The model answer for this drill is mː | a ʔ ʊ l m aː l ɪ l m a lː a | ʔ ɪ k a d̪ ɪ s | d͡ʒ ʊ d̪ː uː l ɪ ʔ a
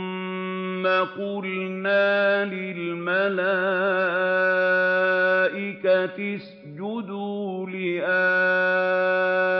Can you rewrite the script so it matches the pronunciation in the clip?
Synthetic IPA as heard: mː | a q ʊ l n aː l ɪ l m a l a | ʔ ɪ k a t̪ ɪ s | d͡ʒ ʊ d̪ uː l ɪ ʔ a